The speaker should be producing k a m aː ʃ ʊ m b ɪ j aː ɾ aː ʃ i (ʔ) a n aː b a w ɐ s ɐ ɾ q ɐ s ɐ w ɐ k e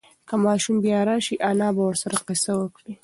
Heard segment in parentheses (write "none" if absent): ʔ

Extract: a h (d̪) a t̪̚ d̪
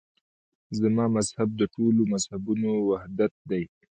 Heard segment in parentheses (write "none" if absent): d̪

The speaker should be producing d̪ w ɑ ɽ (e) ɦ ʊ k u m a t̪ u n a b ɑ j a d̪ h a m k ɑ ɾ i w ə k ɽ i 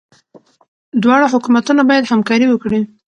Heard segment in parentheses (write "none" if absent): a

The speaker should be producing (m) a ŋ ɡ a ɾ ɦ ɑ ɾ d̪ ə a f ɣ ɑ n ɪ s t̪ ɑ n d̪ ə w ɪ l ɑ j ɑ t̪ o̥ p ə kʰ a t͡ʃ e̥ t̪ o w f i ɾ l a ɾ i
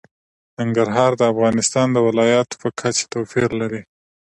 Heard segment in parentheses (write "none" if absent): n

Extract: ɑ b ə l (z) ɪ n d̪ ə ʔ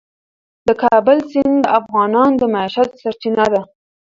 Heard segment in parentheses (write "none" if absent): s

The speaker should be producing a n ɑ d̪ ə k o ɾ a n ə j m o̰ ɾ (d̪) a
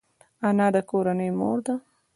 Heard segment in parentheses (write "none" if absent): d̪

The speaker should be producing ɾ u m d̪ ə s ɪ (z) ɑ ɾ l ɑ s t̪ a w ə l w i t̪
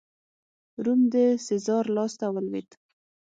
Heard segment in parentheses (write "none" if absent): z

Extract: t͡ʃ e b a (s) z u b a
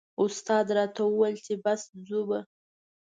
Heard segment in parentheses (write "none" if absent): s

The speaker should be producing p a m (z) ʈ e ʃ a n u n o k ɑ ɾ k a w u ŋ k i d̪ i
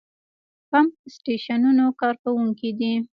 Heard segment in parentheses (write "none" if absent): s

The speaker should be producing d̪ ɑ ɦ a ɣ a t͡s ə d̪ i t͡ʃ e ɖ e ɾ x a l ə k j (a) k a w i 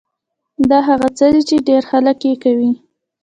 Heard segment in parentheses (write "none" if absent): e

